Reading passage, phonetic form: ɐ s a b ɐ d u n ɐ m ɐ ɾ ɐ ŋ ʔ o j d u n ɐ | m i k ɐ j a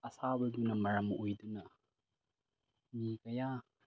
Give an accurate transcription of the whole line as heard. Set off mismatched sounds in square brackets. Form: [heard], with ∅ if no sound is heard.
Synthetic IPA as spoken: ɐ s a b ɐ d u n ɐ m ɐ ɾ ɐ [m] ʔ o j d u n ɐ | m i k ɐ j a